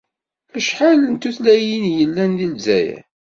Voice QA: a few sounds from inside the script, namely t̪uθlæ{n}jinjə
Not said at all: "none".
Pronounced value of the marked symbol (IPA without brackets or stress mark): none